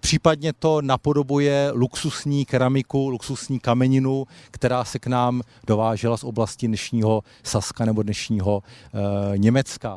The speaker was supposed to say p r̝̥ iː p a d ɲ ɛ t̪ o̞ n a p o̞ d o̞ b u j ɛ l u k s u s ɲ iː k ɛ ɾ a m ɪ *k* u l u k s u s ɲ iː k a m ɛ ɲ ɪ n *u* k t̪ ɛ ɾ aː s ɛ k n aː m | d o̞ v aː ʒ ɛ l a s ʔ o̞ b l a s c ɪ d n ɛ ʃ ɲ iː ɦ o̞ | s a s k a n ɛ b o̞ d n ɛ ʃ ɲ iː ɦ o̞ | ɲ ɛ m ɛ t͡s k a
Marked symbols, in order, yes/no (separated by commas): yes, yes